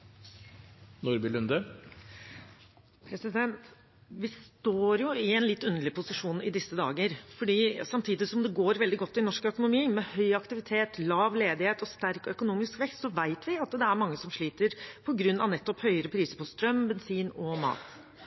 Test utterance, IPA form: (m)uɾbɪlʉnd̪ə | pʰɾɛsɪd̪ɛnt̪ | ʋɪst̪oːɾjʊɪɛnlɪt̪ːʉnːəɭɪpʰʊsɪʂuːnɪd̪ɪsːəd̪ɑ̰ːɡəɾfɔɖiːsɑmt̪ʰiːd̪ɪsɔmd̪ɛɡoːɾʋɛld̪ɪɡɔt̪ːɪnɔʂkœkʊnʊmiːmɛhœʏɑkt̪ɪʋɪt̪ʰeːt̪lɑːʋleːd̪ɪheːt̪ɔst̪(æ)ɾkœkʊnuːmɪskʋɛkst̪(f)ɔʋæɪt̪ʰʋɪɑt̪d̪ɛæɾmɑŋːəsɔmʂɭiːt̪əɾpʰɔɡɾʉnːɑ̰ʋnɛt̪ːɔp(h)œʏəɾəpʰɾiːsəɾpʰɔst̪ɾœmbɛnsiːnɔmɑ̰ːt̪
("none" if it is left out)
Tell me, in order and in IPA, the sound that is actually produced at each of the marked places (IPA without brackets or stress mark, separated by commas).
n, æ, s, h